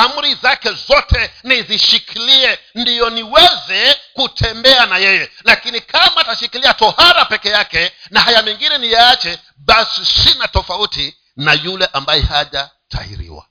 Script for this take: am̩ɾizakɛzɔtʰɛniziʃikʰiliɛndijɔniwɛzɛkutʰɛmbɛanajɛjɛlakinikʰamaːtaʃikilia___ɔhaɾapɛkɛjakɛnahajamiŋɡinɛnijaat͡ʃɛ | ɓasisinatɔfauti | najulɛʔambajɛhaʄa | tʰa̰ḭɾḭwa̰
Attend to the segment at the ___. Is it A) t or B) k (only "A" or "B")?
A